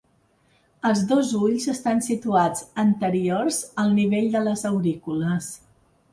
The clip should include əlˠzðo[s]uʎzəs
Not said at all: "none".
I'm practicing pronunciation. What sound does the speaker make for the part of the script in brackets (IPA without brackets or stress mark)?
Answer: z